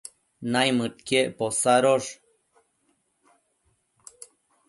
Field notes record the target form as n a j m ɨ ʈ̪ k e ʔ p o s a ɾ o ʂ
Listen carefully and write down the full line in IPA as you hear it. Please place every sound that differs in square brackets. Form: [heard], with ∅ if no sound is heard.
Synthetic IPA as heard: n a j m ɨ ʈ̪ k e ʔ p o s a ɾ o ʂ